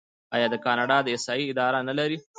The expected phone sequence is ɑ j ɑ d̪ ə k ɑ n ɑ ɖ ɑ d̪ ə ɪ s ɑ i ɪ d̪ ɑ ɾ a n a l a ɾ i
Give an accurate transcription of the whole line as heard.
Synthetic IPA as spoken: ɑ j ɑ d̪ ə k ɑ n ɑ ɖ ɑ d̪ ə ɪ s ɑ i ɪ d̪ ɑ ɾ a n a l a ɾ i